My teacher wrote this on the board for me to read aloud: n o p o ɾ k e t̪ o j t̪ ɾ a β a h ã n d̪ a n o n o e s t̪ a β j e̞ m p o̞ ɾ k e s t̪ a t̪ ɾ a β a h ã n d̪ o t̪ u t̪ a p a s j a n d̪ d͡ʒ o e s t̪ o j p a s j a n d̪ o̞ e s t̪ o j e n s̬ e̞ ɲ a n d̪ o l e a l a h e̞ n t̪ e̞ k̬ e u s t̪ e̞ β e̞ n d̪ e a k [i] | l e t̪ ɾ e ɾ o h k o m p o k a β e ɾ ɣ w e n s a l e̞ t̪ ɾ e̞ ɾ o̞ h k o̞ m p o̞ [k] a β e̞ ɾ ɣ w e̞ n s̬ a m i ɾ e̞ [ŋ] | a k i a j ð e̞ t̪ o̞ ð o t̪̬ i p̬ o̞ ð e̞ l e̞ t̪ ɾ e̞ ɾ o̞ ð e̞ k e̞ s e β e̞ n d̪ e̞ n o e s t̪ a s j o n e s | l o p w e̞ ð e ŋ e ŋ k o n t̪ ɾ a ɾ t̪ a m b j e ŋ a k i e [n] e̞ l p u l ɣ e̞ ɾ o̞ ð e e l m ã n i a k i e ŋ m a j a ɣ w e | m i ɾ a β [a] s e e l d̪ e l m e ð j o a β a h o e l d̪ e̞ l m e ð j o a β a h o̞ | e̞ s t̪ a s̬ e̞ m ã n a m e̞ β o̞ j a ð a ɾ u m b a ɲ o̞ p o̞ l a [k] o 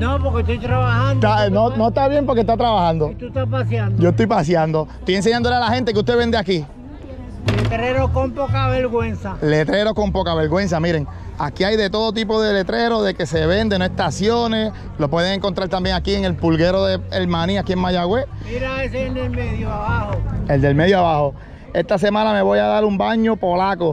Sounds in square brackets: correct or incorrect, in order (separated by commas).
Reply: correct, correct, correct, incorrect, incorrect, correct